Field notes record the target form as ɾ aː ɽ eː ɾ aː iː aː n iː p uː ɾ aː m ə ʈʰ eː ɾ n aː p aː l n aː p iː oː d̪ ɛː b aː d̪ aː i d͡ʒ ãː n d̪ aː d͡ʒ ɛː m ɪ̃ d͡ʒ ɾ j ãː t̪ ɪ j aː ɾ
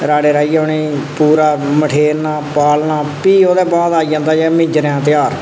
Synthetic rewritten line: ɾ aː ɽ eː ɾ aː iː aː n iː p uː ɾ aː m ə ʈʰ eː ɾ n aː p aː l n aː p iː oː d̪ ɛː b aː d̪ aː i d͡ʒ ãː n d̪ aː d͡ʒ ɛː m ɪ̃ d͡ʒ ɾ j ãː t̪ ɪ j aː ɾ